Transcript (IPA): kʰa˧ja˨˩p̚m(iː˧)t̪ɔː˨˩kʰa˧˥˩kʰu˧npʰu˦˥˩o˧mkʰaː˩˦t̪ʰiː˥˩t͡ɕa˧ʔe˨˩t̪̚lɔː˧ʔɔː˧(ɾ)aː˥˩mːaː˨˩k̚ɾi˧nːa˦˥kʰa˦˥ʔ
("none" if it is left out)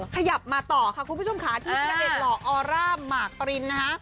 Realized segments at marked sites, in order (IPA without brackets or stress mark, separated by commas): aː˧, ɾ